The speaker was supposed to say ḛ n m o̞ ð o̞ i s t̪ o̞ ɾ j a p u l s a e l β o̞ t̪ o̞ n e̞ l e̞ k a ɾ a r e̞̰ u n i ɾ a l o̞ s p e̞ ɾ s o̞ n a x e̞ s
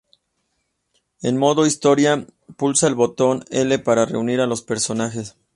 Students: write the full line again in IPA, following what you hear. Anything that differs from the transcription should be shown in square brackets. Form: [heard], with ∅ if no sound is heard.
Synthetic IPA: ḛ n m o̞ ð o̞ i s t̪ o̞ ɾ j a p u l s a e l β o̞ t̪ o̞ n e̞ l e̞ [p] a ɾ a r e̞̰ u n i ɾ a l o̞ s p e̞ ɾ s o̞ n a x e̞ s